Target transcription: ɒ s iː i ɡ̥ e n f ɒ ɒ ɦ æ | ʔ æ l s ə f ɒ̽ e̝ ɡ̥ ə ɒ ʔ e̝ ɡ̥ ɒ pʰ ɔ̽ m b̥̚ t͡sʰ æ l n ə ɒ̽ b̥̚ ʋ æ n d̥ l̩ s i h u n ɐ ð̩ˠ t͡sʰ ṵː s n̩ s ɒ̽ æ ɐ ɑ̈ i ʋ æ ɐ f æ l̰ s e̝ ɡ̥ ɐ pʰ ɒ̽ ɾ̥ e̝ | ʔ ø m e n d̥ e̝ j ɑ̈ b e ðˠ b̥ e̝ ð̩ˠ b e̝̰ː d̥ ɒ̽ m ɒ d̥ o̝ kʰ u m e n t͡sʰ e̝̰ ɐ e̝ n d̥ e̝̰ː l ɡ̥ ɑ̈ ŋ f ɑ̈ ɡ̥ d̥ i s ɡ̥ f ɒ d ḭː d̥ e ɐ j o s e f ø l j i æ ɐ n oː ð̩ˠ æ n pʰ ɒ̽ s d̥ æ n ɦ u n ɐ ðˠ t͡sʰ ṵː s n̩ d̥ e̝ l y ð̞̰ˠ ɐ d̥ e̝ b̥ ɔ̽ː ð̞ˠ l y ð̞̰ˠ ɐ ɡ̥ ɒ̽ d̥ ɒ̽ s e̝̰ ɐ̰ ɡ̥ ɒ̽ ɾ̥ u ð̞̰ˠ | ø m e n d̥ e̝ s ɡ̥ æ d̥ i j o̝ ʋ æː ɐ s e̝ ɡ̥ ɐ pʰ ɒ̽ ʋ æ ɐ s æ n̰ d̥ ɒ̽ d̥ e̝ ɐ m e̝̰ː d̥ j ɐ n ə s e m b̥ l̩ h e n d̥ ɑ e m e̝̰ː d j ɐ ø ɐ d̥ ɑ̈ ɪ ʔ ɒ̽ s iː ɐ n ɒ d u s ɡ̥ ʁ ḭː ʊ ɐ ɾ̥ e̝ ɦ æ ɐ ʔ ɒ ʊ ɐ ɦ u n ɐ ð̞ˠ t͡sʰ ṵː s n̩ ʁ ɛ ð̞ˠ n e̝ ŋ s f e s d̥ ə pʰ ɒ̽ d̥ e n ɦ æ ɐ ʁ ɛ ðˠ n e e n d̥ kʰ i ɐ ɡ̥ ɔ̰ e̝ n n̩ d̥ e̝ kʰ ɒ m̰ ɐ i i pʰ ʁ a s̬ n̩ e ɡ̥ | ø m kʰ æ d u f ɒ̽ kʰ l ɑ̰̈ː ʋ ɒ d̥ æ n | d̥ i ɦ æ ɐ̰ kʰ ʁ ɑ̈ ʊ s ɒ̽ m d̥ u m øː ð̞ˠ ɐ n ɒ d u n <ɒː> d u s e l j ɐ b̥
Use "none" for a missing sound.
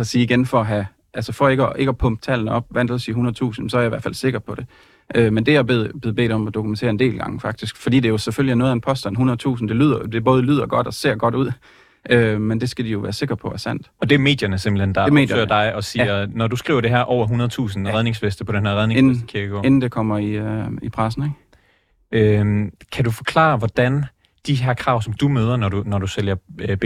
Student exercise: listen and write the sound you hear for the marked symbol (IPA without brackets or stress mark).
ɒ